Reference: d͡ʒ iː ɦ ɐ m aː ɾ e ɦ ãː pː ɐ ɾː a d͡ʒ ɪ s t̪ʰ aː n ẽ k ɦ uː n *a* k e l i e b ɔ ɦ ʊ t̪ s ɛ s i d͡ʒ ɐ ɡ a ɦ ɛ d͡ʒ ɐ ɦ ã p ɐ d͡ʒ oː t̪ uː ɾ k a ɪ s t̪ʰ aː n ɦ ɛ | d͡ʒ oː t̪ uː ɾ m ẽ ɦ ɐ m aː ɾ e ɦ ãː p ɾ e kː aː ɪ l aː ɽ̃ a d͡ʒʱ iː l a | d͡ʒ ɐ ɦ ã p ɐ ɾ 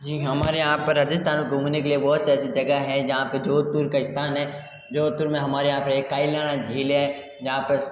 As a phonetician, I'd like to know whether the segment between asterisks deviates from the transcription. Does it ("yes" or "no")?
yes